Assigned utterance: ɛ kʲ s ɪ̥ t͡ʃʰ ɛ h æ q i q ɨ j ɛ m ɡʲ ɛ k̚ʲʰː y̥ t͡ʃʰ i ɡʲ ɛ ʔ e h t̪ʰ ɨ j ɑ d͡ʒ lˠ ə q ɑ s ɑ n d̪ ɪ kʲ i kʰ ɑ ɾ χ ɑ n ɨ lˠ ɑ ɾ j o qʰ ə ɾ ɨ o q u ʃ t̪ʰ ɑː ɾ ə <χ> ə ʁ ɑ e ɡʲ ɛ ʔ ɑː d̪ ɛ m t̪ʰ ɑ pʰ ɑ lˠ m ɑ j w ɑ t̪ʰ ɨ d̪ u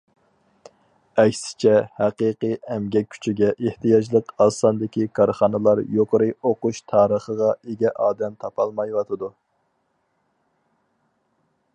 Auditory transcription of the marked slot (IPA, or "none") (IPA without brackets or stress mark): χ